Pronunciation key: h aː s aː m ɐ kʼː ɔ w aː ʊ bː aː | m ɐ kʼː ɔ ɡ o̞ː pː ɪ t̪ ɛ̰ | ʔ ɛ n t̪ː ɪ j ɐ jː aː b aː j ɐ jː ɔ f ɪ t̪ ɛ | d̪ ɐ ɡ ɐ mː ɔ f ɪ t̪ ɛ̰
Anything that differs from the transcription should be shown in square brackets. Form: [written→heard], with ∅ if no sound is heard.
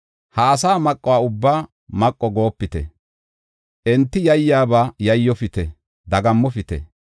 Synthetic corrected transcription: h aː s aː m ɐ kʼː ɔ w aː ʊ bː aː | m ɐ kʼː ɔ ɡ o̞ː pː ɪ t̪ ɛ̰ | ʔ ɛ n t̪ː ɪ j ɐ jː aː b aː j ɐ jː ɔ f ɪ t̪ ɛ | d̪ ɐ ɡ ɐ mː ɔ f ɪ t̪ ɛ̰